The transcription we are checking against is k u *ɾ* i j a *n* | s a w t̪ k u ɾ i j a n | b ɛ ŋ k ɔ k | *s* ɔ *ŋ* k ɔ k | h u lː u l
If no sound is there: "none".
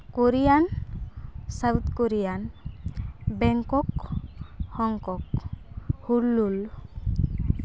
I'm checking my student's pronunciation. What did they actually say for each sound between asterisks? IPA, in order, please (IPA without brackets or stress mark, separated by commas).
ɾ, n, h, ŋ